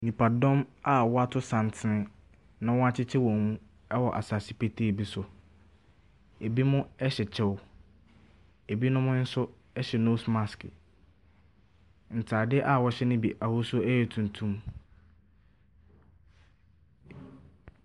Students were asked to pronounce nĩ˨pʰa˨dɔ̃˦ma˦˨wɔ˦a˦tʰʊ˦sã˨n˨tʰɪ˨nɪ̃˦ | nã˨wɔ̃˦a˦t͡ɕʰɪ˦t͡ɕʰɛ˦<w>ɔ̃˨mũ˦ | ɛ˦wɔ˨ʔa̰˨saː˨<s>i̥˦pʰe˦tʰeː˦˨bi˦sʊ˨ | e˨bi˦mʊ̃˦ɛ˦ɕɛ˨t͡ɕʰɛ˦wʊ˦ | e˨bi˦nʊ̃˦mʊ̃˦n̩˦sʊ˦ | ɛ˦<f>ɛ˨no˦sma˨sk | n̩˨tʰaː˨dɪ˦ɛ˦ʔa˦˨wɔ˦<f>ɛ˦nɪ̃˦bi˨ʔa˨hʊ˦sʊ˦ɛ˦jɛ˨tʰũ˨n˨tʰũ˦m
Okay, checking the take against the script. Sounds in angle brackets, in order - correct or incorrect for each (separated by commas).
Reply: correct, correct, incorrect, incorrect